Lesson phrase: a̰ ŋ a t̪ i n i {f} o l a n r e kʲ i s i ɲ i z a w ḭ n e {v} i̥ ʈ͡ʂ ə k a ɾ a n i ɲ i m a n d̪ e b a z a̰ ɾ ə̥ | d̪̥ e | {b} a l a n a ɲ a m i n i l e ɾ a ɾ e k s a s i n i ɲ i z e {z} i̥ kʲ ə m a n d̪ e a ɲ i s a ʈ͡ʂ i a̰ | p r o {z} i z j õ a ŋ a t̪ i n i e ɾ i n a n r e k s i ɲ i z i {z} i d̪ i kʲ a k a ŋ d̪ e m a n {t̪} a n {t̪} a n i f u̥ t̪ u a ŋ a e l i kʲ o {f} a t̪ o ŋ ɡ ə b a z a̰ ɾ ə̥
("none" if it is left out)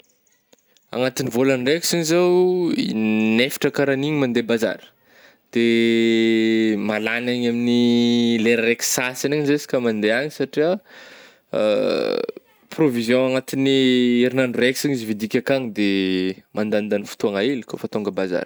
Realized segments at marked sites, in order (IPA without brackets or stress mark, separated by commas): v, f, m, s, v, v, d̪, d̪, f